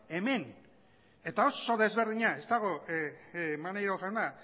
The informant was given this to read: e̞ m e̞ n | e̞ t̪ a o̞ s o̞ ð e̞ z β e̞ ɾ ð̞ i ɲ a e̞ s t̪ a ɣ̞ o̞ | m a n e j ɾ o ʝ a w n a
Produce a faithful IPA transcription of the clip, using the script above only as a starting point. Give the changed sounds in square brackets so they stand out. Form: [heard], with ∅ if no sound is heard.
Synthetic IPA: e̞ m e̞ n | e̞ t̪ a o̞ s o̞ ð e̞ z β e̞ ɾ ð̞ i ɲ a e̞ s t̪ a ɣ̞ o̞ | m a n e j ɾ o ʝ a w n a